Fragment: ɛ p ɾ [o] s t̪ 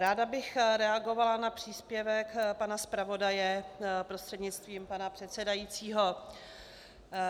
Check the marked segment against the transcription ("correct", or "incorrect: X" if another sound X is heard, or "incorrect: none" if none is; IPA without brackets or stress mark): correct